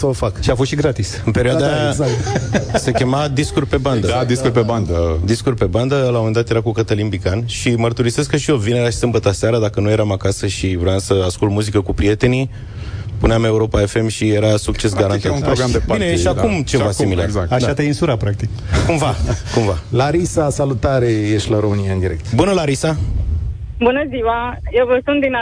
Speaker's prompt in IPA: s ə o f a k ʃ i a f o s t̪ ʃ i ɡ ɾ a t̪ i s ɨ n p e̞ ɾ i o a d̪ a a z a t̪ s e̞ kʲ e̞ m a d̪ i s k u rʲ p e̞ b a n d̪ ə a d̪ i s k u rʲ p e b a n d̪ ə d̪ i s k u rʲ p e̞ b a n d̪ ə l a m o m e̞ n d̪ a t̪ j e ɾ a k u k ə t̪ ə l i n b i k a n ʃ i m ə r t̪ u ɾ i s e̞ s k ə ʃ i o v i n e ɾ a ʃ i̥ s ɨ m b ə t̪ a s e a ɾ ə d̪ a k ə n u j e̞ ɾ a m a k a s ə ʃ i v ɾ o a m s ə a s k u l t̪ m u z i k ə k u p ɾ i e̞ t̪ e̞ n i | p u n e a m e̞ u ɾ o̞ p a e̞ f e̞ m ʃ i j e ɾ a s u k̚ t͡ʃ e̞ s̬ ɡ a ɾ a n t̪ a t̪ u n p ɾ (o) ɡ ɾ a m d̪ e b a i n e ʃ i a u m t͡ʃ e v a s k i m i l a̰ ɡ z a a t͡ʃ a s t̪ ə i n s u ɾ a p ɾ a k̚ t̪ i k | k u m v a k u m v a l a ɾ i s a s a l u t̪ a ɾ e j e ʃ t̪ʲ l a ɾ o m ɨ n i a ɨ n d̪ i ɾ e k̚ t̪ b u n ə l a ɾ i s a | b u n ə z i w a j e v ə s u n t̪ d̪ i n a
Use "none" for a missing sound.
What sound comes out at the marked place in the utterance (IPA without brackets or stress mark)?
o